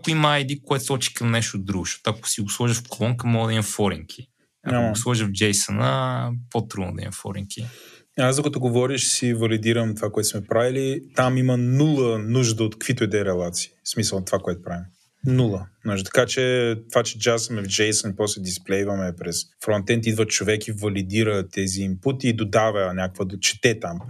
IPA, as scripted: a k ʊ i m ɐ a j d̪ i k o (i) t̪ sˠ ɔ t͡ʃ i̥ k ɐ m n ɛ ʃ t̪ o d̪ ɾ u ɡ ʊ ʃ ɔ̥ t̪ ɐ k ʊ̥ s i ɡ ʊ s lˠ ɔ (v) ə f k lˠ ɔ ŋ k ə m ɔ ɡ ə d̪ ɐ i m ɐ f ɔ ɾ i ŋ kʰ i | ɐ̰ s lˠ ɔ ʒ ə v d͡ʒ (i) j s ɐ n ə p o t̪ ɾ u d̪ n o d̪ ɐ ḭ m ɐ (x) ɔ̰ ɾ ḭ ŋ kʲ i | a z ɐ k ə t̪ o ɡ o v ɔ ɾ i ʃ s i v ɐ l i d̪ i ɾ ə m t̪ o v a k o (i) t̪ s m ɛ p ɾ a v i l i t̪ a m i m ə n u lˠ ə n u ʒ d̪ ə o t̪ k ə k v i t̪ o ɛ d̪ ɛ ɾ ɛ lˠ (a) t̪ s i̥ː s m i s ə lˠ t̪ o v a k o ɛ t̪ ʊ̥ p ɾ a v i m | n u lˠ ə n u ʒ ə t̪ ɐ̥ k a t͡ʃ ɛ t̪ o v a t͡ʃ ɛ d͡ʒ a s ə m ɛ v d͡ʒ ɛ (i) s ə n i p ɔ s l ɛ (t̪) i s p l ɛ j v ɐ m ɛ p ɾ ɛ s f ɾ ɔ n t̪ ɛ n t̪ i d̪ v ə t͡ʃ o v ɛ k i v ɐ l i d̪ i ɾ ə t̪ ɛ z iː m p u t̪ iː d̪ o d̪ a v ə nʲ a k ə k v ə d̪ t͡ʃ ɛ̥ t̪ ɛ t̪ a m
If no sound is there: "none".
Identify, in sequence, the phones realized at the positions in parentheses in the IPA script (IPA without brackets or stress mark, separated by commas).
ɛ, ʒ, ɛ, f, ɛ, a, j, d̪